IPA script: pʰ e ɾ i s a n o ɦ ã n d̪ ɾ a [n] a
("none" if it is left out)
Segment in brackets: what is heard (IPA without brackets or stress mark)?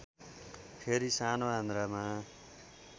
m